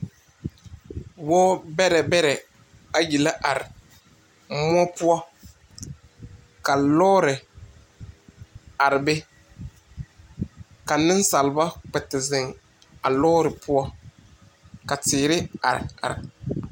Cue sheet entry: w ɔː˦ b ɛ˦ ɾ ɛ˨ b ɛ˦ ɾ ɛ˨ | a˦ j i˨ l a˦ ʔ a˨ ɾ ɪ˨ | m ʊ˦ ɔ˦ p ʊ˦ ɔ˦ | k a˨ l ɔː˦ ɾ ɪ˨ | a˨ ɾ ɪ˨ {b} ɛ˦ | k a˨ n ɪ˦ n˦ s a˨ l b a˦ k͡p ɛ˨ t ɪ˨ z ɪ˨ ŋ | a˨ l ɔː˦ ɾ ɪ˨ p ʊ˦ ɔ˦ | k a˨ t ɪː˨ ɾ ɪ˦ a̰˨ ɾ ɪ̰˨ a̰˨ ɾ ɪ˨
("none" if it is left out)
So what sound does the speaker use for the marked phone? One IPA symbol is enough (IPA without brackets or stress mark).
b